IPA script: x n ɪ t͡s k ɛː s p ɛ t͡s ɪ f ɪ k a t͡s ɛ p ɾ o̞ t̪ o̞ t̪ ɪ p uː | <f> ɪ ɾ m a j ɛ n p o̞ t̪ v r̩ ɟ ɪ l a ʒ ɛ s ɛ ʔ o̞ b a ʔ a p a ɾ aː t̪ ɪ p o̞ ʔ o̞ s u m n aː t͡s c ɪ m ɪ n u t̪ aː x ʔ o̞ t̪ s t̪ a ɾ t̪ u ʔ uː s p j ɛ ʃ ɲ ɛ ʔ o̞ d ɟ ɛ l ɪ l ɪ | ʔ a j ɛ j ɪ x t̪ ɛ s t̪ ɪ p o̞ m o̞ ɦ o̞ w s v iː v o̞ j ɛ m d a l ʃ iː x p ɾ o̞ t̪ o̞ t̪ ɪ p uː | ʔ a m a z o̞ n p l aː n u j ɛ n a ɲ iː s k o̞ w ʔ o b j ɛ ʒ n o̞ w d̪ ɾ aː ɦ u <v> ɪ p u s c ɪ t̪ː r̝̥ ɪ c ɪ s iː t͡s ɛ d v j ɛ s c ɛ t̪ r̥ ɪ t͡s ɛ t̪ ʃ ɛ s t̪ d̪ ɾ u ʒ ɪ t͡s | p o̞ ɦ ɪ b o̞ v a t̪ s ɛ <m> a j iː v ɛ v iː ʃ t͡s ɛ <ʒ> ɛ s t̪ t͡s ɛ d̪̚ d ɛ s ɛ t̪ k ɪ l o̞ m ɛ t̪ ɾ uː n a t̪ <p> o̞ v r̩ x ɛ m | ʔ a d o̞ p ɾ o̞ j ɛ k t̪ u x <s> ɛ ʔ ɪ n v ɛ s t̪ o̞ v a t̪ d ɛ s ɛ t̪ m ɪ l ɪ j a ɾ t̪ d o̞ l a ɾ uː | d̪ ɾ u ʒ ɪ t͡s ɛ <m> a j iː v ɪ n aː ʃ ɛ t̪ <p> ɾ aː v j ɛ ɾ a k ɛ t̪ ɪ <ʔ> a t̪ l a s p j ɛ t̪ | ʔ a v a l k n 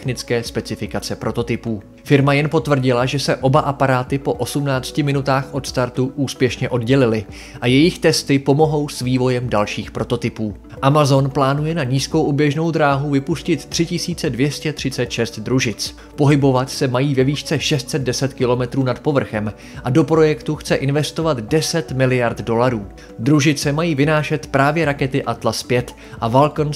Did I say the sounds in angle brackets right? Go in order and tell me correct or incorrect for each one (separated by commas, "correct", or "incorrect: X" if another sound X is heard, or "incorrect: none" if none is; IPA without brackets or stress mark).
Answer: correct, correct, correct, incorrect: ʃ, correct, incorrect: t͡s, correct, correct, correct